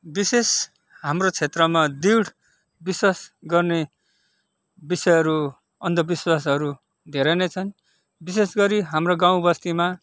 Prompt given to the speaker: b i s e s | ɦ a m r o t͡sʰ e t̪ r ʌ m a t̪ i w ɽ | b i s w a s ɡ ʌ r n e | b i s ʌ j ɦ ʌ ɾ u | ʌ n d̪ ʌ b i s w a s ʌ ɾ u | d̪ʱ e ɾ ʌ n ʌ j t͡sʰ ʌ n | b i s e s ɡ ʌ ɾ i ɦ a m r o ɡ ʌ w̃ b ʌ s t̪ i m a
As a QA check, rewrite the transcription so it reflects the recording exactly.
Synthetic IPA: b i s e s | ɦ a m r o t͡sʰ e t̪ r ʌ m a d̪ i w ɽ | b i s w a s ɡ ʌ r n e | b i s ʌ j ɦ ʌ ɾ u | ʌ n d̪ ʌ b i s w a s ʌ ɾ u | d̪ʱ e ɾ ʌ n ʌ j t͡sʰ ʌ n | b i s e s ɡ ʌ ɾ i ɦ a m r o ɡ a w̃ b ʌ s t̪ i m a